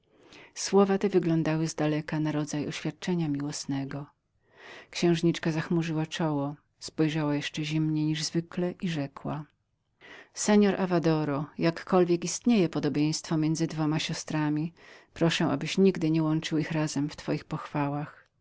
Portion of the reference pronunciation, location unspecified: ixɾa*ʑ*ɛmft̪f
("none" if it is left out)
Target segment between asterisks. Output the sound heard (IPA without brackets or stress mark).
z